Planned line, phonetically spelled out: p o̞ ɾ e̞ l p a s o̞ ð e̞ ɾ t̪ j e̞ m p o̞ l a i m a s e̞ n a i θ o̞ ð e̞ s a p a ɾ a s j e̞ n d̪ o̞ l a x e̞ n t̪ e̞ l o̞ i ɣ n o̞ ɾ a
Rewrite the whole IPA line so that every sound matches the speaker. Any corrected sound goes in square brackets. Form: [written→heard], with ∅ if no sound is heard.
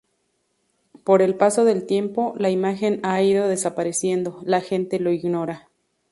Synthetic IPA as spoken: p o̞ ɾ e̞ l p a s o̞ ð e̞ [ɾ→l] t̪ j e̞ m p o̞ l a i m a [s→x] e̞ n a i [θ→ð] o̞ ð e̞ s a p a ɾ [a→e] s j e̞ n d̪ o̞ l a x e̞ n t̪ e̞ l o̞ i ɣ n o̞ ɾ a